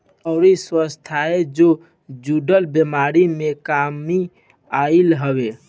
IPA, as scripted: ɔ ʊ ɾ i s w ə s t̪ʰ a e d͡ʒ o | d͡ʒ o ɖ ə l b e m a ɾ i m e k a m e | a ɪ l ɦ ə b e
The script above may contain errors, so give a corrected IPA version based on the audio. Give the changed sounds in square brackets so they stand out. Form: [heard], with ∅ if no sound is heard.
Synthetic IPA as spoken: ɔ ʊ ɾ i s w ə s t̪ʰ a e d͡ʒ o | d͡ʒ [u] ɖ ə l b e m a ɾ i m e k a m [i] | a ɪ l ɦ ə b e